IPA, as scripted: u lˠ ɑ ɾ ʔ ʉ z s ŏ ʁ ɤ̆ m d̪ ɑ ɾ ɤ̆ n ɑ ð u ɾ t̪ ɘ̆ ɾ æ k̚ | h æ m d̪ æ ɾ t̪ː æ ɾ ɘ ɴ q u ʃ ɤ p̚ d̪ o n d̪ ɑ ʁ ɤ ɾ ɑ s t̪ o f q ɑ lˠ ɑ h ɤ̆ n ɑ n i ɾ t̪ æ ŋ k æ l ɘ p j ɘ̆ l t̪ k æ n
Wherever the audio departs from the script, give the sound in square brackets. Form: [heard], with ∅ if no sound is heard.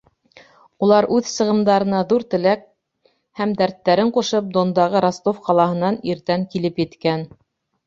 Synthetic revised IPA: u lˠ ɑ ɾ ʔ ʉ [ð] s [ɤ̆] ʁ ɤ̆ m d̪ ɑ ɾ ɤ̆ n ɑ ð u ɾ t̪ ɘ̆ [l] æ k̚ | h æ m d̪ æ ɾ t̪ː æ ɾ ɘ ɴ q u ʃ ɤ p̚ d̪ o n d̪ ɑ ʁ ɤ ɾ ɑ s t̪ o f q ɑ lˠ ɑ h ɤ̆ n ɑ n i ɾ t̪ æ ŋ k [i] l ɘ p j ɘ̆ [∅] t̪ k æ n